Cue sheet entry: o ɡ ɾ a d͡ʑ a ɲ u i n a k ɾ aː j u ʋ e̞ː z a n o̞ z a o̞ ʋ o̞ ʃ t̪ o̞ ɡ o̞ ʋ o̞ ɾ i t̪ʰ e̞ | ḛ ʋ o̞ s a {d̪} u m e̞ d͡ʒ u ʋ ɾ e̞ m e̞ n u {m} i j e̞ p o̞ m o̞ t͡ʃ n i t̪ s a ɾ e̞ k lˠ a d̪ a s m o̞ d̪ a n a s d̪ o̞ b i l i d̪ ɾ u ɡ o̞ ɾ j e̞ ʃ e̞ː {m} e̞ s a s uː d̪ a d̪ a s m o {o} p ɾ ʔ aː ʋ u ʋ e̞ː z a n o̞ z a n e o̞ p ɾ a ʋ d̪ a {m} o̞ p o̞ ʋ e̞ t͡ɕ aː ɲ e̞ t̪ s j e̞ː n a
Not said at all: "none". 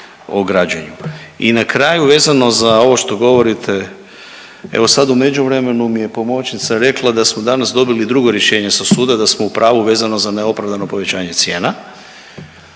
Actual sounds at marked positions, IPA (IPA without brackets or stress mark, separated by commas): d̪, m, ɲ, u, n